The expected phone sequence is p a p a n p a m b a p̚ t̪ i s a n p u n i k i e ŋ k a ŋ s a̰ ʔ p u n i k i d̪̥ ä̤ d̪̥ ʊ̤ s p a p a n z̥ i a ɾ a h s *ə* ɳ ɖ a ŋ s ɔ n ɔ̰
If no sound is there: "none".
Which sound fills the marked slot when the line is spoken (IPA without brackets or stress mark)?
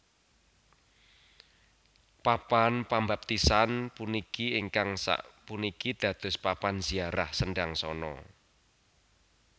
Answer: ə